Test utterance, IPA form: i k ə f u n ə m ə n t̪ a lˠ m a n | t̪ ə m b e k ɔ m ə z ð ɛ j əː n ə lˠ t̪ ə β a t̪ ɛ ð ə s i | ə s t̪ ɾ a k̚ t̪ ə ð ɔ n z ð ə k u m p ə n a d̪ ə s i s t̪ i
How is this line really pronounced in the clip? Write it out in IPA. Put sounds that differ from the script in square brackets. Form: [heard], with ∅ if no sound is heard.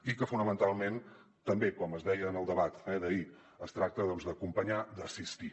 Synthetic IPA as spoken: i k ə f u n ə m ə n t̪ a lˠ m [e] n | t̪ ə m b e k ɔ m ə z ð ɛ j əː n ə lˠ [d̪] ə β a t̪ ɛ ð ə [∅] i | ə s t̪ ɾ a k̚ t̪ ə ð ɔ n z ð ə k u m p ə [ɲ] a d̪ ə s i s t̪ i